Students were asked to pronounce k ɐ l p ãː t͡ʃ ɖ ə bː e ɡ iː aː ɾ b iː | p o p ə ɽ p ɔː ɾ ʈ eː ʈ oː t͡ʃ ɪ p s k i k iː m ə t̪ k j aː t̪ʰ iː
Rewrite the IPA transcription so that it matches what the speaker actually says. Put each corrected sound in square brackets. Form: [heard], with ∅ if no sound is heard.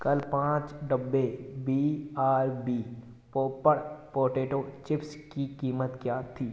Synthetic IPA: k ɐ l p ãː t͡ʃ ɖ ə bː e [b] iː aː ɾ b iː | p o p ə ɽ p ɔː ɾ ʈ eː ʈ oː t͡ʃ ɪ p s k i k iː m ə t̪ k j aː t̪ʰ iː